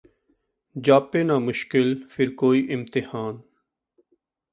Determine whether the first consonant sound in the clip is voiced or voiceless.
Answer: voiced